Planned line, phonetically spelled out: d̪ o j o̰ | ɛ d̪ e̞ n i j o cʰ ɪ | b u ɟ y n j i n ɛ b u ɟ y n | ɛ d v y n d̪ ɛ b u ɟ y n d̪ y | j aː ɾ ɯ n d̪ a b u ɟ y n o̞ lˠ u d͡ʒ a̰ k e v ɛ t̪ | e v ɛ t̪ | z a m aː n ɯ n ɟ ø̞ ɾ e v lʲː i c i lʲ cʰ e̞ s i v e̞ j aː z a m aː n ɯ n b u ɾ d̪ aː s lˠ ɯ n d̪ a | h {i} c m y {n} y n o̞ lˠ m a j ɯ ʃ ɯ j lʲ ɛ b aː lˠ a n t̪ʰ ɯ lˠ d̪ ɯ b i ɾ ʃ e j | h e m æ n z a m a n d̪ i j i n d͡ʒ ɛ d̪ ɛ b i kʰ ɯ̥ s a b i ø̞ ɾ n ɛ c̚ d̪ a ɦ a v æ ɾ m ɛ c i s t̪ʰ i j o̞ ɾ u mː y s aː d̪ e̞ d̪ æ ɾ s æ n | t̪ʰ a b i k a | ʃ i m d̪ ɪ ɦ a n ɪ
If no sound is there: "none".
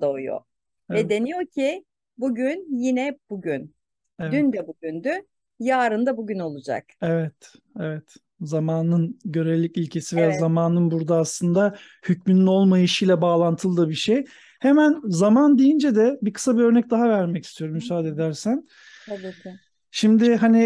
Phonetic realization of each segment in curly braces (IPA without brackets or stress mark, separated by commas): y, n